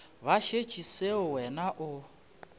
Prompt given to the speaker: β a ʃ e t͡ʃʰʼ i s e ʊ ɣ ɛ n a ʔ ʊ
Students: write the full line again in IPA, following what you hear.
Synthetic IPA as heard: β a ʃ e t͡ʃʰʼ i s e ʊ w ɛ n a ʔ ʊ

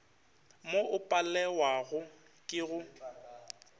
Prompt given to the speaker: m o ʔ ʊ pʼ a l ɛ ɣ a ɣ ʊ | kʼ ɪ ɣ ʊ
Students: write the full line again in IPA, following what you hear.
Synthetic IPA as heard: m o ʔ ʊ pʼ a l ɛ w a ɣ ʊ | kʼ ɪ ɣ ʊ

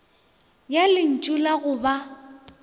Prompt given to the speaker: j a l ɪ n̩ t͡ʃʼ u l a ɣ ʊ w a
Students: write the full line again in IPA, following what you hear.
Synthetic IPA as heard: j a l ɪ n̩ t͡ʃʼ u l a ɣ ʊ b a

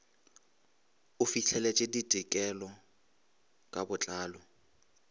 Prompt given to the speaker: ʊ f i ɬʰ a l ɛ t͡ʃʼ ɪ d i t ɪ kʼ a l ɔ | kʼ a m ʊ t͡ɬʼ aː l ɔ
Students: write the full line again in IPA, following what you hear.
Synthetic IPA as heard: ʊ f i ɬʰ ɛ l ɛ t͡ʃʼ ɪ d i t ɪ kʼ ɛ l ɔ | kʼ a b ʊ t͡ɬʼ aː l ɔ

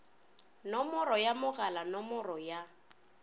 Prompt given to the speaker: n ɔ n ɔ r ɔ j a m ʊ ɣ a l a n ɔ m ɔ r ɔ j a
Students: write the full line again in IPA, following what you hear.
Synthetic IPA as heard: n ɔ m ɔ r ɔ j a m ʊ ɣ a l a n ɔ m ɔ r ɔ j a

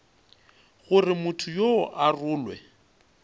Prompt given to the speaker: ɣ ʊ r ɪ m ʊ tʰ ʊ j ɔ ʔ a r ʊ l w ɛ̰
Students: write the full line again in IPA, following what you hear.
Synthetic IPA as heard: ɣ ʊ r ɪ m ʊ tʰ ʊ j o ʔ a r ʊː l w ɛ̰

